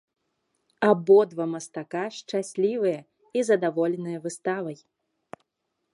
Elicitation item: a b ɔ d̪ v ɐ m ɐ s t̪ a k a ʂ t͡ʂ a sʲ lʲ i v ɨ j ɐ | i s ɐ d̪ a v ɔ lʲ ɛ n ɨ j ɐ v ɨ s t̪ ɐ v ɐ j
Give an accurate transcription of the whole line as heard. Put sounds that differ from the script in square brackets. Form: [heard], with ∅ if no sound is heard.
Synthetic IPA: a b ɔ d̪ v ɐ m ɐ s t̪ a k a ʂ t͡ʂ a sʲ lʲ i v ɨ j ɐ | i [z] ɐ d̪ a v ɔ lʲ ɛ n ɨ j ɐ v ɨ s t̪ [a] v ɐ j